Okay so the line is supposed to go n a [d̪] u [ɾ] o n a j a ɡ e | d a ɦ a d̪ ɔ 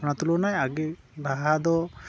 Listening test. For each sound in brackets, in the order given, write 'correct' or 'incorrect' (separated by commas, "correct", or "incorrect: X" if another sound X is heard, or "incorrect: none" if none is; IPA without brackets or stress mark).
incorrect: t̪, incorrect: l